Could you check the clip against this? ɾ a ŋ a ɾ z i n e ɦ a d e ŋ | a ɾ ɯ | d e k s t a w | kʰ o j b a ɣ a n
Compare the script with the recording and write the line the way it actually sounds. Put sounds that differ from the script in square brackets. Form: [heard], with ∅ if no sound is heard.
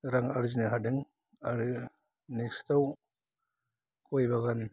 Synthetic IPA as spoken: ɾ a ŋ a ɾ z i n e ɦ a d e ŋ | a ɾ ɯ | [n] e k s t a w | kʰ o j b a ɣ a n